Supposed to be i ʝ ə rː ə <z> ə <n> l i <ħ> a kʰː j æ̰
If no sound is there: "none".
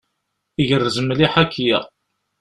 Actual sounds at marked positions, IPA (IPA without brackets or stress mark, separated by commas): z, m, ħ